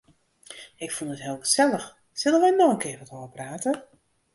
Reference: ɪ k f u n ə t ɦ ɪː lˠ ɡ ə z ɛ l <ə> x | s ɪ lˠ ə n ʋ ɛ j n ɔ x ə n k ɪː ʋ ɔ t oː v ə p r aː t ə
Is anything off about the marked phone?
no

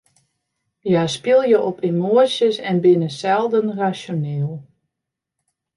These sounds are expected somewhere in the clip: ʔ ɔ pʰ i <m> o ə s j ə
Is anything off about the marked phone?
no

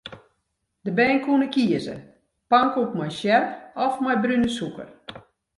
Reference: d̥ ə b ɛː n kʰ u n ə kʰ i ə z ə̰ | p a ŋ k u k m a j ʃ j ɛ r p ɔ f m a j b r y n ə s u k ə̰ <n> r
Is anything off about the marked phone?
yes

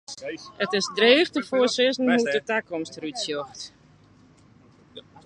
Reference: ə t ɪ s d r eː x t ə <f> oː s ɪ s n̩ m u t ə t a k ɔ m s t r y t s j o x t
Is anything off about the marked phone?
no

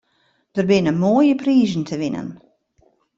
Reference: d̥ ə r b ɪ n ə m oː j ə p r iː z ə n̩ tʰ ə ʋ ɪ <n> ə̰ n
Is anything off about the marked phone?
no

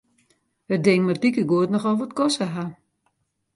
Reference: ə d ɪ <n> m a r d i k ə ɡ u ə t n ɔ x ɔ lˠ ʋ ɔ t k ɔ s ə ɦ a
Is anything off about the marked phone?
yes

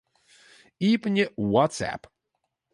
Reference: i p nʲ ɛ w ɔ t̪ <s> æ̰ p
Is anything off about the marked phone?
no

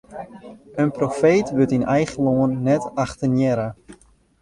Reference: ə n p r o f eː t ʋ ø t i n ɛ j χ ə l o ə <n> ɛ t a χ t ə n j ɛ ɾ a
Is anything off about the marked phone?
yes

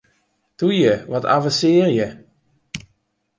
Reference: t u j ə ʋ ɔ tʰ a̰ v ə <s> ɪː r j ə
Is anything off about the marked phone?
no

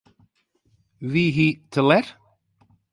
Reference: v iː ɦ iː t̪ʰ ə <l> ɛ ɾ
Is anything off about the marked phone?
no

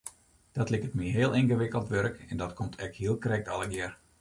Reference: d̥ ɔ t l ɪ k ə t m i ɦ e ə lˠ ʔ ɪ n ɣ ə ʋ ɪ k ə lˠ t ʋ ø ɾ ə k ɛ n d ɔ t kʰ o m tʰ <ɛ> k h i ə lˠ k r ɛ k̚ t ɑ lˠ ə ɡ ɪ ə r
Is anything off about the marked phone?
no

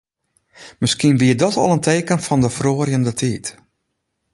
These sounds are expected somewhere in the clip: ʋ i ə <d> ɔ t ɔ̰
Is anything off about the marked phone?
no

